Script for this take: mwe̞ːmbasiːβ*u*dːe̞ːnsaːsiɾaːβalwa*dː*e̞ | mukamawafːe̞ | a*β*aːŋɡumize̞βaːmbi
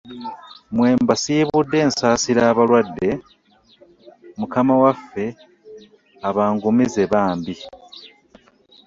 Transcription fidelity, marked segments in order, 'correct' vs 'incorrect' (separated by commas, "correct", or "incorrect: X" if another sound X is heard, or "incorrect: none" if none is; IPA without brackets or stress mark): correct, correct, correct